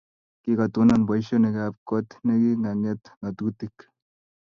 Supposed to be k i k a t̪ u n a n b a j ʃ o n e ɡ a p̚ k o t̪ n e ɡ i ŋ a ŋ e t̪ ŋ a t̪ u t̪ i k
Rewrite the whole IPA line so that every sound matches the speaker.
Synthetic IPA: k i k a t̪ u n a n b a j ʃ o n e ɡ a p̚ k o t̪ n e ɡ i ŋ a ŋ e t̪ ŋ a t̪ u t̪ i k

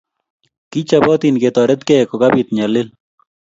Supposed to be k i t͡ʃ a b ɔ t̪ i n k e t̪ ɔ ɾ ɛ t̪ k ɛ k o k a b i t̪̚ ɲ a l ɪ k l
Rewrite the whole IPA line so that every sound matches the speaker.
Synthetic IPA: k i t͡ʃ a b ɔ t̪ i n k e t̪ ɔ ɾ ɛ t̪ k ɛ k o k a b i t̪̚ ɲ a l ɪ l

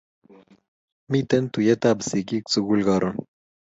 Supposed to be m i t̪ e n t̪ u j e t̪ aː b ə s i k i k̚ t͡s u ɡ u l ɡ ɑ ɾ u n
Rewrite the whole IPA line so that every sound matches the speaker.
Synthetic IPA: m i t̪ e n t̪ u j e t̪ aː b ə s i k i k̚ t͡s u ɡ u l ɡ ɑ ɾ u n

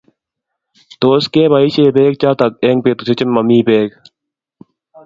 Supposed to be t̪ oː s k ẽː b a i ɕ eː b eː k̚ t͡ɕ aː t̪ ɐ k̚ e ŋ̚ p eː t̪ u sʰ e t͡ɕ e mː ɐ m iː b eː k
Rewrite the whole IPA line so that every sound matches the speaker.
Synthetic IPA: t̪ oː s k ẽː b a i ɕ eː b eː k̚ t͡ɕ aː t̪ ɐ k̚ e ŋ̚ p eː t̪ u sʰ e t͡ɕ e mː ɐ m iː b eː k

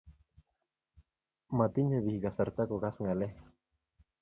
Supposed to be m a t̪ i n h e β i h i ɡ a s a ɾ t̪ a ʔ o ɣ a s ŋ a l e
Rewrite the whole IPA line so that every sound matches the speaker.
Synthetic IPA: m a t̪ i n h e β i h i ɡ a s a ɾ t̪ a k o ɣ a s ŋ a l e

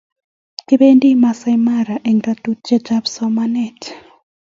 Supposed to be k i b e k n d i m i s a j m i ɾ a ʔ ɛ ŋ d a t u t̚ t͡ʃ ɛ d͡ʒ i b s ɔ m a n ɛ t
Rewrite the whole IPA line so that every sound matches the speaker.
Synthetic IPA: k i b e n d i m a s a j m a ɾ a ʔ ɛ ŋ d a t u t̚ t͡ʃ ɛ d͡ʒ a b s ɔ m a n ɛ t

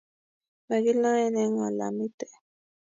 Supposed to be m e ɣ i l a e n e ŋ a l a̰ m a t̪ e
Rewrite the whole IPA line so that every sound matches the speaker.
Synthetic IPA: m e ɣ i l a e n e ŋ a l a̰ m i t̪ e

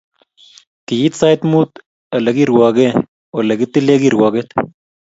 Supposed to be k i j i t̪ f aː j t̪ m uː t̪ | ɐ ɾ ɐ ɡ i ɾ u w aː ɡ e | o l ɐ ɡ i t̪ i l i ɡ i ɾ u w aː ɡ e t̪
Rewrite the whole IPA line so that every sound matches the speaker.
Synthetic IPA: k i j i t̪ s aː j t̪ m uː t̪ | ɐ l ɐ ɡ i ɾ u w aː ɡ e | o l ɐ ɡ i t̪ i l e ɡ i ɾ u w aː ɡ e t̪

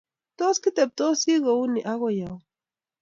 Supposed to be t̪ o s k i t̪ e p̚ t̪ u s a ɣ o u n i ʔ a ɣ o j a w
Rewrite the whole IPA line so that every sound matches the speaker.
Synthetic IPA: t̪ o s k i t̪ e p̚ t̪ o s i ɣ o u n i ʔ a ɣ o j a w

